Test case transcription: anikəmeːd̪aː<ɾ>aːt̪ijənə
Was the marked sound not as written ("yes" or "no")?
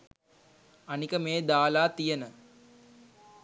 yes